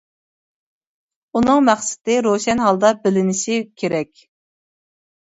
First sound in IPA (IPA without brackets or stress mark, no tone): u